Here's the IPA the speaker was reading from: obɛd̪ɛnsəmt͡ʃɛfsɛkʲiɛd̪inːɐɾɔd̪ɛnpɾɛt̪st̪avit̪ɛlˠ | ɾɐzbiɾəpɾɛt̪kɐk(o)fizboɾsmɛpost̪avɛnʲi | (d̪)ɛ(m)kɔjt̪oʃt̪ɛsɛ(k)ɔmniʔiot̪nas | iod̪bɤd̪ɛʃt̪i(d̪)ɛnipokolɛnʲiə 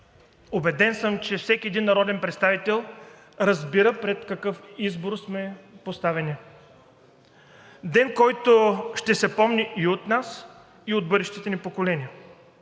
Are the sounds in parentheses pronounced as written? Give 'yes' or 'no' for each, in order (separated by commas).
no, yes, no, no, no